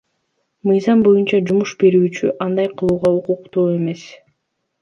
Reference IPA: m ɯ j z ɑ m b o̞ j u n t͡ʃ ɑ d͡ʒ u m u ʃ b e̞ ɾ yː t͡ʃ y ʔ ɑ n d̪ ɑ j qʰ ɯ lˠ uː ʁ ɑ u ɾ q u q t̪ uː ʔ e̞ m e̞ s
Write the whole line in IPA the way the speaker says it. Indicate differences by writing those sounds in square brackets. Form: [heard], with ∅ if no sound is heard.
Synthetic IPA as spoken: m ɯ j z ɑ m b o̞ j u n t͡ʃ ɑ d͡ʒ u m u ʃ b e̞ ɾ yː t͡ʃ y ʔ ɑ n d̪ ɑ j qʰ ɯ lˠ uː ʁ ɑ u [∅] q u q t̪ uː [∅] e̞ m e̞ s

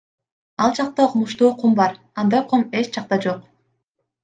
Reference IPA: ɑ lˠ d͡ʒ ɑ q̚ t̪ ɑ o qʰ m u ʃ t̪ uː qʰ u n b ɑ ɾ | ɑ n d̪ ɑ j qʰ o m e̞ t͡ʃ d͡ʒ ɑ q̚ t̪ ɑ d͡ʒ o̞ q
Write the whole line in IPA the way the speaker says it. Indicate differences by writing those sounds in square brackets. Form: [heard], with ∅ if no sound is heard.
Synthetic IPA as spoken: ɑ lˠ d͡ʒ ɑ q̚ t̪ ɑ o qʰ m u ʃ t̪ uː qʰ u [m] b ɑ ɾ | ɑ n d̪ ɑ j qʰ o m e̞ t͡ʃ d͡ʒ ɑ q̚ t̪ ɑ d͡ʒ o̞ q

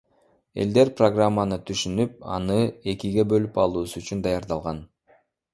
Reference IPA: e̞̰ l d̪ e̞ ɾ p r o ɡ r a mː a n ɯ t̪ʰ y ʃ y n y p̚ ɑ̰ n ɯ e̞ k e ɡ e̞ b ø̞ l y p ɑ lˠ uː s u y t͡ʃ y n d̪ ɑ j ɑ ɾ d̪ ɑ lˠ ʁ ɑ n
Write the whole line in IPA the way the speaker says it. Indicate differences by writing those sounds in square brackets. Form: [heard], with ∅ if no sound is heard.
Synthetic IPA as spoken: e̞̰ l d̪ e̞ ɾ p r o ɡ r a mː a n ɯ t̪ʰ y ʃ y n y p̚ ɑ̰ n ɯ e̞ k [i] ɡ e̞ b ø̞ l y p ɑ lˠ uː s u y t͡ʃ y n d̪ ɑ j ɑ ɾ d̪ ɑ lˠ ʁ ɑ n

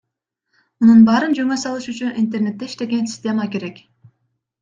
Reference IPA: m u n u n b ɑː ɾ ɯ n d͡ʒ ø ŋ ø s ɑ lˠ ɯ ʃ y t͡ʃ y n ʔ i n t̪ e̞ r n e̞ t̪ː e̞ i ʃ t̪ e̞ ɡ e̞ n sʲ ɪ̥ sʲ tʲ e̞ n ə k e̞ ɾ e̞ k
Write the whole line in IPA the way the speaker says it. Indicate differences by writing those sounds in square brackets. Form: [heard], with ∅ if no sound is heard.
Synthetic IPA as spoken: m u n u n b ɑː ɾ ɯ n d͡ʒ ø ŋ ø s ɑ lˠ ɯ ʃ y t͡ʃ y n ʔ i n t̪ e̞ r n e̞ t̪ː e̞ i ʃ t̪ e̞ ɡ e̞ n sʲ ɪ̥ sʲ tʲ e̞ [m] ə k e̞ ɾ e̞ k

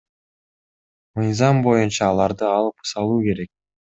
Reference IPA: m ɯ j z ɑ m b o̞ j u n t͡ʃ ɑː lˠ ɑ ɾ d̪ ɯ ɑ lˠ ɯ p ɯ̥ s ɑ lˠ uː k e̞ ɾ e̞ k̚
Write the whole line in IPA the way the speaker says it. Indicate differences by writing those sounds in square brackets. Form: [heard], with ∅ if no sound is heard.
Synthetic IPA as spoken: m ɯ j z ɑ m b o̞ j u n t͡ʃ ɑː lˠ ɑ ɾ d̪ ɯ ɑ lˠ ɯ p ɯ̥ s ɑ lˠ uː k e̞ ɾ e̞ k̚

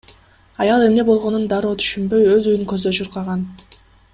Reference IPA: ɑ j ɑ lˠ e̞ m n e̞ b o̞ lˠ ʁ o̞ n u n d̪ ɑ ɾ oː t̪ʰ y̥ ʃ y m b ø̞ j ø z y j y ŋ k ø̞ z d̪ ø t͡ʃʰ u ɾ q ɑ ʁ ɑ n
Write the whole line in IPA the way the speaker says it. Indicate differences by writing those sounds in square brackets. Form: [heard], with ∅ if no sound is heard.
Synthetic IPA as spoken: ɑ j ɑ lˠ e̞ m n e̞ b o̞ lˠ ʁ o̞ n u n d̪ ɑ ɾ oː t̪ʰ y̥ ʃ y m b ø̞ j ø z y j y ŋ k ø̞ z d̪ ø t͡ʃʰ u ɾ q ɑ ʁ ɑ n

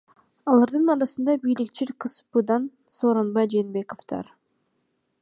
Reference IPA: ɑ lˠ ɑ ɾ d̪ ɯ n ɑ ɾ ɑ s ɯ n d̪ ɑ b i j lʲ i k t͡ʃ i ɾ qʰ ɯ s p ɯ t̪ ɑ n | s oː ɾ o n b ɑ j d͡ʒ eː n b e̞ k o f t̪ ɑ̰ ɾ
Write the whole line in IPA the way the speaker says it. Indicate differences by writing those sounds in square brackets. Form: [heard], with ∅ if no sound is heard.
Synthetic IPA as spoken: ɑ lˠ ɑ ɾ d̪ ɯ n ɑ ɾ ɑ s ɯ n d̪ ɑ b i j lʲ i k t͡ʃ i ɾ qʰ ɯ s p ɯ [d̪] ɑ n | s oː ɾ o n b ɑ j d͡ʒ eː n b e̞ k o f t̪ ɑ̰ ɾ

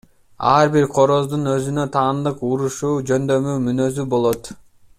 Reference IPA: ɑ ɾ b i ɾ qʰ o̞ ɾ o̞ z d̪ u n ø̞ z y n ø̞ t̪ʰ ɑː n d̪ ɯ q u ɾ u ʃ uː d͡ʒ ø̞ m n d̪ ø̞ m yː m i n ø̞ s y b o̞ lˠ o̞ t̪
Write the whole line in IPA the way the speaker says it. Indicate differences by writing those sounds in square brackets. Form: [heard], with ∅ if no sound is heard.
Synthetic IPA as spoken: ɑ ɾ b i ɾ qʰ o̞ ɾ o̞ z d̪ u n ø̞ z y n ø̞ t̪ʰ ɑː n d̪ ɯ q u ɾ u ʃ uː d͡ʒ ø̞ [∅] n d̪ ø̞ m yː m [y] n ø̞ [z] y b o̞ lˠ o̞ t̪

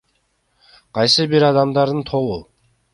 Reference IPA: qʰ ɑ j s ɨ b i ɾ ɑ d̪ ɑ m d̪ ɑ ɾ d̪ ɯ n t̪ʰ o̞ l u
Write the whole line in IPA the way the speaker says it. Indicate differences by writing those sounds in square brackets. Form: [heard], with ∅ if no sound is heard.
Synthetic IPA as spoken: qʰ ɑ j s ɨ b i ɾ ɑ d̪ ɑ m d̪ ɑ ɾ d̪ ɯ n t̪ʰ o̞ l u

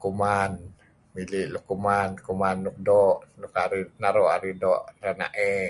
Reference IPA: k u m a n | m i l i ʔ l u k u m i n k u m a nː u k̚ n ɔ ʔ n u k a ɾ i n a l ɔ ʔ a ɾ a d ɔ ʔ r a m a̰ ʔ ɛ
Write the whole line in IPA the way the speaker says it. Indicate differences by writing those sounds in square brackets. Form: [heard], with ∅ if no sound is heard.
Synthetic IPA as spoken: k u m a n | m i l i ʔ l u k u m [a] n k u m a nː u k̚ [d] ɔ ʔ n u k a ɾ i n a [ɾ] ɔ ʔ a ɾ [i] d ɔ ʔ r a [n] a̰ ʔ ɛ

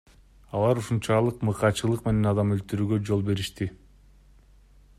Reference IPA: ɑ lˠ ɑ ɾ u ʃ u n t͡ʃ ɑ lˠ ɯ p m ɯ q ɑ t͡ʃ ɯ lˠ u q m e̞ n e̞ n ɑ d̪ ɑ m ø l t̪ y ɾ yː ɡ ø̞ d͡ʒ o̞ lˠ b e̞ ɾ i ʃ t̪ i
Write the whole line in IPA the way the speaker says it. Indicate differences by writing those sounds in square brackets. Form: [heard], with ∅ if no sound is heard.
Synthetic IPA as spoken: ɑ lˠ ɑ ɾ u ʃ u n t͡ʃ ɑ lˠ ɯ [q] m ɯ q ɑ t͡ʃ ɯ lˠ [ɯ] q m e̞ n e̞ n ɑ d̪ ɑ m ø l t̪ y ɾ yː ɡ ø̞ d͡ʒ o̞ lˠ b e̞ ɾ i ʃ t̪ i

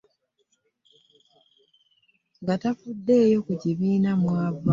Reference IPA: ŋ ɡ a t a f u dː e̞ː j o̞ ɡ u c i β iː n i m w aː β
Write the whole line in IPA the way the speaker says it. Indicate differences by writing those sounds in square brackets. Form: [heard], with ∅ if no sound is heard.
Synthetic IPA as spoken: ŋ ɡ a t a f u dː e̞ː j o̞ [k] u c i β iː n [a] m w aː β

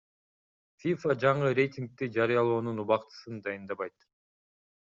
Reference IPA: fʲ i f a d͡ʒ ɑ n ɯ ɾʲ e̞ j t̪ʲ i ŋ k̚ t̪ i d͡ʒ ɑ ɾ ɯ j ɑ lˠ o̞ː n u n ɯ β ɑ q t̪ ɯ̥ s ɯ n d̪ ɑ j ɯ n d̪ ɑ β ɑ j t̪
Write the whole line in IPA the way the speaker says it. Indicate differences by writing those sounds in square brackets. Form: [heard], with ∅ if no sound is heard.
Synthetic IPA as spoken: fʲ i f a d͡ʒ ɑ [ɴ] ɯ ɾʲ e̞ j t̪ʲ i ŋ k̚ t̪ i d͡ʒ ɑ ɾ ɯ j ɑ lˠ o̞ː n u n [u] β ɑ q t̪ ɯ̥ s ɯ n d̪ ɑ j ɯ n d̪ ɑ β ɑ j t̪

